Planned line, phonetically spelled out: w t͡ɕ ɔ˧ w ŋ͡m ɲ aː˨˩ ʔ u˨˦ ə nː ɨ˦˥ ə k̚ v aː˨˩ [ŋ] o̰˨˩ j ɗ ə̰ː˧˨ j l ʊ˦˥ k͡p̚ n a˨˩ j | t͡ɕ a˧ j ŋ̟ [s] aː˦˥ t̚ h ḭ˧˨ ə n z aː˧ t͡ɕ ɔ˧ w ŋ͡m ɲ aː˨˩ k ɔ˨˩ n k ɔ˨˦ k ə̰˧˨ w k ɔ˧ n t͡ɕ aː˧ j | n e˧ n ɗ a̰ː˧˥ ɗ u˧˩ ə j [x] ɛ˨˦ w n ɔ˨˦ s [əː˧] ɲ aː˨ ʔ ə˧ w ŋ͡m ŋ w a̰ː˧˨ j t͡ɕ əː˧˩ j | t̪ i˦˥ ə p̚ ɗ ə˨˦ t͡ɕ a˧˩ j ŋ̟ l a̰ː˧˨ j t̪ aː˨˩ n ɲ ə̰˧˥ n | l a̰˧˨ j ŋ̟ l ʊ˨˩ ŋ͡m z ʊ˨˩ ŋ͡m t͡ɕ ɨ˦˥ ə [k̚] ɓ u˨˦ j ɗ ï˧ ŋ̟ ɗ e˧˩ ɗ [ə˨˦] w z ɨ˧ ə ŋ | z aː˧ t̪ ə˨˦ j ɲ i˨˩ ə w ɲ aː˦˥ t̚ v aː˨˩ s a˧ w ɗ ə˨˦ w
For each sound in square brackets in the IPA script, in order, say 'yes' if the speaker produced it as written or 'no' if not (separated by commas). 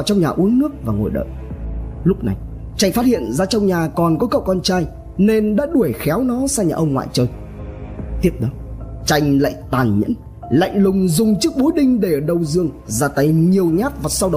yes, no, yes, no, yes, no